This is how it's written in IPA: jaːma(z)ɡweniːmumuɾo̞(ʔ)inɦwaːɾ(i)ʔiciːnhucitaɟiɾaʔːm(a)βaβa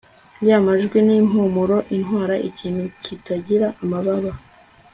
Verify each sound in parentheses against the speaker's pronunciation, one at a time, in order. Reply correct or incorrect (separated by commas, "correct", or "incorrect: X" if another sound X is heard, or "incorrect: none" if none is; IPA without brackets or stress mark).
incorrect: ʒ, correct, incorrect: a, correct